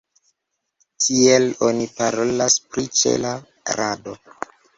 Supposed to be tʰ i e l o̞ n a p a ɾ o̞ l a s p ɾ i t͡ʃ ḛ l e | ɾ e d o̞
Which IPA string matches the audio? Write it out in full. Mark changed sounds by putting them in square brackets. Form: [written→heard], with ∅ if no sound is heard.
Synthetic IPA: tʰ i e l o̞ n [a→i] p a ɾ o̞ l a s p ɾ i t͡ʃ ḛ l [e→a] | ɾ [e→a] d o̞